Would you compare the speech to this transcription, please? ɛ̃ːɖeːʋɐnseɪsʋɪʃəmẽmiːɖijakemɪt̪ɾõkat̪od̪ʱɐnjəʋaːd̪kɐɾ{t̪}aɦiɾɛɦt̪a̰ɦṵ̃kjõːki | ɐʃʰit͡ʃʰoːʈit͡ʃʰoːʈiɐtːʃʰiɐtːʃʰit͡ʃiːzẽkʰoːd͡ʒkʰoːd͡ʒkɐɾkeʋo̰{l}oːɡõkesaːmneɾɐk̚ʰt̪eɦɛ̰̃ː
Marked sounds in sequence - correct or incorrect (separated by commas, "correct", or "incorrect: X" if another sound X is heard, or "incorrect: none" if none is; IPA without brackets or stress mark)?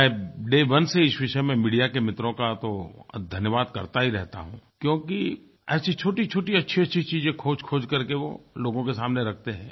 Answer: correct, correct